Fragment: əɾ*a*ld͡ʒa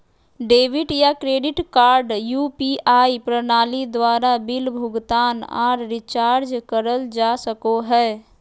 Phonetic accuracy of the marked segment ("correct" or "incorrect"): incorrect